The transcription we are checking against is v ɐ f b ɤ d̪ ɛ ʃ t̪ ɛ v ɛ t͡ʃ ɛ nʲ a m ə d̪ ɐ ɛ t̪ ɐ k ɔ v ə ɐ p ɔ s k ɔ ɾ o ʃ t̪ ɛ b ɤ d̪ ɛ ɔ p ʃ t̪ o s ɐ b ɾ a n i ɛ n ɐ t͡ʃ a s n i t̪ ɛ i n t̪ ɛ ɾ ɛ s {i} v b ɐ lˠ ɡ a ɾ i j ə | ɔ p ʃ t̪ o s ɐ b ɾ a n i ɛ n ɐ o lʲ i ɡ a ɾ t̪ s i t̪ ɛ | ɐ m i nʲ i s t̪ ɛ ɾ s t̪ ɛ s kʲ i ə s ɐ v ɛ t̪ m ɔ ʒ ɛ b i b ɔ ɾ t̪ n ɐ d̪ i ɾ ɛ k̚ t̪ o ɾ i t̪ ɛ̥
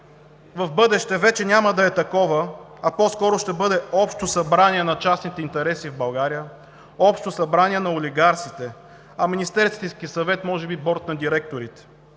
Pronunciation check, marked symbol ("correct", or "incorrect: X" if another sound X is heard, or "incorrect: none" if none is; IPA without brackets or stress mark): correct